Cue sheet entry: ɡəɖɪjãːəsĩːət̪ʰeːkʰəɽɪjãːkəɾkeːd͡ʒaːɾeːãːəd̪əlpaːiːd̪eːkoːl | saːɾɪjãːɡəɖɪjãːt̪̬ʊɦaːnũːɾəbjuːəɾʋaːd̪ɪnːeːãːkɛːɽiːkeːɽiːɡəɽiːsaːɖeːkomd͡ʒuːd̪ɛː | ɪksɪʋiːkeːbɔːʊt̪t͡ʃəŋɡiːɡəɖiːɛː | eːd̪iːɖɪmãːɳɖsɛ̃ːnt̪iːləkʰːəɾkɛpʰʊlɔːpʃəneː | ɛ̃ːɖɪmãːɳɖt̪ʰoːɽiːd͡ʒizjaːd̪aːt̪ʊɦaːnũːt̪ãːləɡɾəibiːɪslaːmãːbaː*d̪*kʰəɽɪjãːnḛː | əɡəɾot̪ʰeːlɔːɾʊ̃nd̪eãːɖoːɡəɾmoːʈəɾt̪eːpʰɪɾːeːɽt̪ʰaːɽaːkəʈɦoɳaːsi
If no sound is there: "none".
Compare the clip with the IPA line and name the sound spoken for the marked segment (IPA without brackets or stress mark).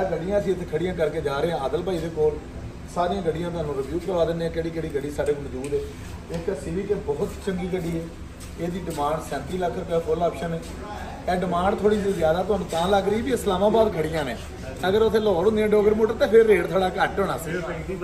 d̪